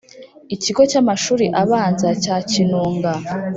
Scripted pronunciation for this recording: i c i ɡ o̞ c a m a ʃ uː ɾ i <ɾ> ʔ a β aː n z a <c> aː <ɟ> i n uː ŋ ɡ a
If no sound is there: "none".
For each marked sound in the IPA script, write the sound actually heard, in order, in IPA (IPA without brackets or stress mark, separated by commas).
none, c, c